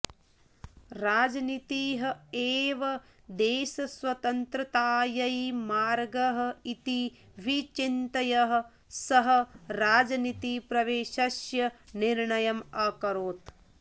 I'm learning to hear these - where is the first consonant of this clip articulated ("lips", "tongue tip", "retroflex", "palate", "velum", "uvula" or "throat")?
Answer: tongue tip